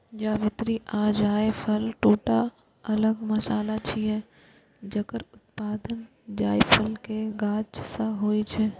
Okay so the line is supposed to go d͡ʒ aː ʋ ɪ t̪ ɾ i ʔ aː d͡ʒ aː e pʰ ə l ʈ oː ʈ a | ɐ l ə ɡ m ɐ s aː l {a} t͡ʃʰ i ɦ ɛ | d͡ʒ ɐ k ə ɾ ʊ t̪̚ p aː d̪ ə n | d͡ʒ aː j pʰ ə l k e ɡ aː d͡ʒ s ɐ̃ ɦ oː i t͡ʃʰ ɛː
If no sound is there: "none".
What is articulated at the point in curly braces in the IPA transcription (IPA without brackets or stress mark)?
a